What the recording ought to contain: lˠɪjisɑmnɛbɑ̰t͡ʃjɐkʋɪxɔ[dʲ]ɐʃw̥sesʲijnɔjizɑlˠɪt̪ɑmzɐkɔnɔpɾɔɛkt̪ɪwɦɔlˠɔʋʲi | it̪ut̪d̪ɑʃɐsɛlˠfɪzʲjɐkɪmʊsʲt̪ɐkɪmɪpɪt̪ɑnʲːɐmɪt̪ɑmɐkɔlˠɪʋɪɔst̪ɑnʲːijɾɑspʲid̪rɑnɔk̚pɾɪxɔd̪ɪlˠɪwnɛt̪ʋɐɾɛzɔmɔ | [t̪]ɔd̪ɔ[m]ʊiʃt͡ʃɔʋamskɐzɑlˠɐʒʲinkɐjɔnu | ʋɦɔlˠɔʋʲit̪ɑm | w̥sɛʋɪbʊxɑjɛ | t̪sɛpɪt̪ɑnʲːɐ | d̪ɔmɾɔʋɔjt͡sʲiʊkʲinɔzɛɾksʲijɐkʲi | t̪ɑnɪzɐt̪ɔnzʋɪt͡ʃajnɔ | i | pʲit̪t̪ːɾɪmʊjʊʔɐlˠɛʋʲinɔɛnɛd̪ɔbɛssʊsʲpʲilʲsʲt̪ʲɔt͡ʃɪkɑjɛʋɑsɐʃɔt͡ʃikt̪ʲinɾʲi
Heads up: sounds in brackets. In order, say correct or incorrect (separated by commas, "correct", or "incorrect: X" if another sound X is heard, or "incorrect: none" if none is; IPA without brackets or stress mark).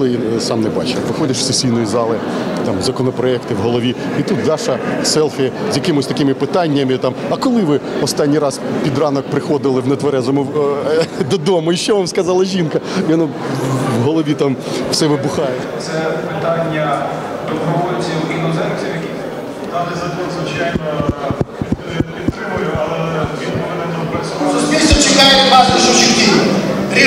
correct, incorrect: d̪, correct